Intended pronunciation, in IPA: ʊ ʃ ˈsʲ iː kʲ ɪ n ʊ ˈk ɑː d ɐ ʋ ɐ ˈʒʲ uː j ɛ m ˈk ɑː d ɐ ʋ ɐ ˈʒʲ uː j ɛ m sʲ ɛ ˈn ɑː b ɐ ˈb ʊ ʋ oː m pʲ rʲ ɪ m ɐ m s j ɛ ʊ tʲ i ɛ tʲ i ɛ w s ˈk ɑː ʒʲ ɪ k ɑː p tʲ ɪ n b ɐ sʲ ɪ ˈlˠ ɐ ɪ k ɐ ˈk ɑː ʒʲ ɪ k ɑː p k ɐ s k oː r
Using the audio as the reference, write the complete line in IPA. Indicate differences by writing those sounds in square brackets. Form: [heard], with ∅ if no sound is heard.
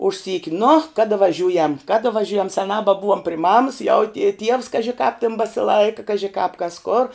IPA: ʊ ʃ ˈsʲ iː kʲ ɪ n ʊ ˈk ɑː d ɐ ʋ ɐ ˈʒʲ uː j ɛ m ˈk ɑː d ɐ ʋ ɐ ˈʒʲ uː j ɛ m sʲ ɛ ˈn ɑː b ɐ ˈb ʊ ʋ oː m pʲ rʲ ɪ m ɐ m s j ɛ ʊ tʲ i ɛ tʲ i ɛ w s ˈk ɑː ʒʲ ɪ k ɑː p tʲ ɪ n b ɐ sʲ ɪ ˈlˠ ɐ ɪ k ɐ ˈk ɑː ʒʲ ɪ k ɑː p k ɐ s k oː r